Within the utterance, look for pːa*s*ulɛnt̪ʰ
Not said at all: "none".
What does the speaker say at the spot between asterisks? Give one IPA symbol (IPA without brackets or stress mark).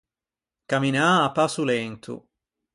s